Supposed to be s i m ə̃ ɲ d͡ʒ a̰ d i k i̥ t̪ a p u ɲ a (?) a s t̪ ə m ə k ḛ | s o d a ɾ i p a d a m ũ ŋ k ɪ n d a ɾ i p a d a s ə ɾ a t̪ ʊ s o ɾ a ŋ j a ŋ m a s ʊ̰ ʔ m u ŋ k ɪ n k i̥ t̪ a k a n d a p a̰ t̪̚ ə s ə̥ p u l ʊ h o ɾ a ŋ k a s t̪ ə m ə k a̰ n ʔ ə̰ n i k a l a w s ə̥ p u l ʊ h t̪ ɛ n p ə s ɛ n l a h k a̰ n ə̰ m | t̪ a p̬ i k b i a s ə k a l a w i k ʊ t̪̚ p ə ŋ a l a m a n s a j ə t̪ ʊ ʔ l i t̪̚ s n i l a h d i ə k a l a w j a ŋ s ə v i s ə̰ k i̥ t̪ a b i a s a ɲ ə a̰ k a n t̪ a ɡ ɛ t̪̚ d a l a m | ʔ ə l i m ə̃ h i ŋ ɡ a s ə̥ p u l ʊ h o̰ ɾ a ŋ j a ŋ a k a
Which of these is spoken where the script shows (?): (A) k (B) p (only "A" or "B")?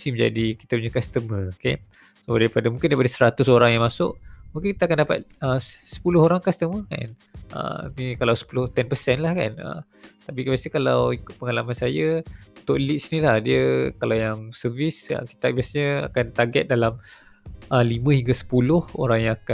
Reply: A